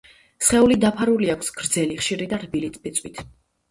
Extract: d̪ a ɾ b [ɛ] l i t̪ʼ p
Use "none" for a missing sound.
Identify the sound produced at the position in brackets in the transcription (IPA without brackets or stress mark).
i